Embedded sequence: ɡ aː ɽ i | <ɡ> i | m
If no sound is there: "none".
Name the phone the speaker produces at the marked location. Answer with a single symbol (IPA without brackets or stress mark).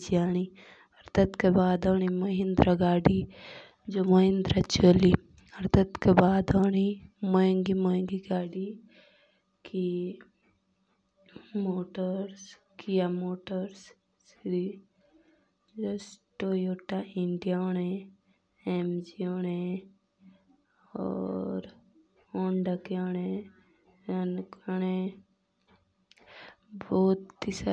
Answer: k